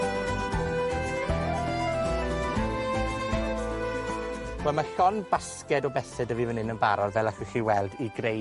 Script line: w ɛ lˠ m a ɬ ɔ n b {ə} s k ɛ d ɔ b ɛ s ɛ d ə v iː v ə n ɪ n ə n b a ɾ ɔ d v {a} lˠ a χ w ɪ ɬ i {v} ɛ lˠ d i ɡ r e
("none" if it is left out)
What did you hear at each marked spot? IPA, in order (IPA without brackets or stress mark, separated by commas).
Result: a, ɛ, w